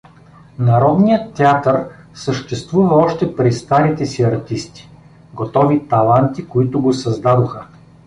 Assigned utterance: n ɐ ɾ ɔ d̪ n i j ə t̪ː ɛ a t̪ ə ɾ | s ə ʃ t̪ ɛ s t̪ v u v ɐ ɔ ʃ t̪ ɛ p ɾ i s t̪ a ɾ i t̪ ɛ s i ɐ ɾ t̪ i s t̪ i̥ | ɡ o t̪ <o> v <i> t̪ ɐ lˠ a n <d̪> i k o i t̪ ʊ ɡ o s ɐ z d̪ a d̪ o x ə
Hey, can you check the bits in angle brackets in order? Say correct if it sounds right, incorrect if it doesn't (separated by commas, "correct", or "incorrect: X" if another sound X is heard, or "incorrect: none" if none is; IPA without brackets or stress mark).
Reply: incorrect: ɔ, correct, incorrect: t̪